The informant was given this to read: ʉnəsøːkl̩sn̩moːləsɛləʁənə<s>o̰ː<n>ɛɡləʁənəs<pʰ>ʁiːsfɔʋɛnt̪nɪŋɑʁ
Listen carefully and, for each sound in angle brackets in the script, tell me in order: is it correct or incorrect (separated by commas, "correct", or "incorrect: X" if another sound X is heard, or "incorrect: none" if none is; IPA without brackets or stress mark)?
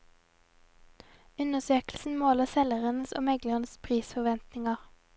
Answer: correct, incorrect: m, correct